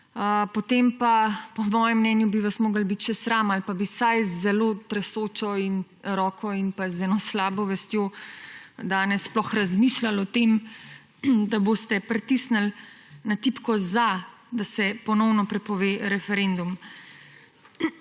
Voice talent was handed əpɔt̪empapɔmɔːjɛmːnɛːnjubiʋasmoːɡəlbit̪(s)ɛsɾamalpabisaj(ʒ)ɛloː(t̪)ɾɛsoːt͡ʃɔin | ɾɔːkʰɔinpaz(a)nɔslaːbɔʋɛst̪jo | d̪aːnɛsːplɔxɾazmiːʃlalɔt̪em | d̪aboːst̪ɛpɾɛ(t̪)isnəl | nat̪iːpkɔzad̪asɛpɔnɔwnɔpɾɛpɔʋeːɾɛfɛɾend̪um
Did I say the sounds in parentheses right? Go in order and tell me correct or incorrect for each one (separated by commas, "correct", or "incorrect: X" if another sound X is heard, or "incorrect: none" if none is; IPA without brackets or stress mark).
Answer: incorrect: ʃ, incorrect: z, correct, incorrect: ɛ, correct